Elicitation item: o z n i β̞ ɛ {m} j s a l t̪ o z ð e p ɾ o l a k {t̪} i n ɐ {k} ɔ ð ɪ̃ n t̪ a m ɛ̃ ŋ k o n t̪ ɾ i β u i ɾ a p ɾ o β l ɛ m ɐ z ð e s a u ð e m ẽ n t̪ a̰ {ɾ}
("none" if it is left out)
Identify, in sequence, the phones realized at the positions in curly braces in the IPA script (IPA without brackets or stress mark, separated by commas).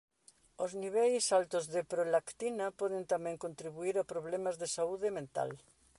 none, t̪, p, l